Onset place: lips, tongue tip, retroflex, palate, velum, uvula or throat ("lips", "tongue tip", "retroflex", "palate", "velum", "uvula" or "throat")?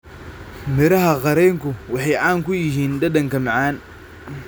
lips